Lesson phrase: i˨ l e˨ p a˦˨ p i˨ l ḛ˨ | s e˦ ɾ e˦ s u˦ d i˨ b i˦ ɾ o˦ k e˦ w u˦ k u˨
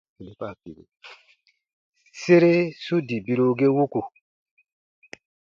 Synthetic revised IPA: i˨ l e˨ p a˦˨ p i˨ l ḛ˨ | s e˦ ɾ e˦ s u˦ d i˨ b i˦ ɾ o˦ ɡ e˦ w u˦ k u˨